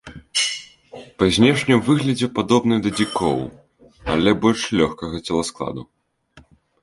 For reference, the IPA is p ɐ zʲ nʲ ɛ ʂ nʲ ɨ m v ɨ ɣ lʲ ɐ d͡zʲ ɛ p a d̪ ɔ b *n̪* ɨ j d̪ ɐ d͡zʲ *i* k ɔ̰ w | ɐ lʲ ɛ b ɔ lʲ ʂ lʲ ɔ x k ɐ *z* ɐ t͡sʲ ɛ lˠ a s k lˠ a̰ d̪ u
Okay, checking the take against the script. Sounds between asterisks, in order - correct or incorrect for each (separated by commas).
correct, correct, incorrect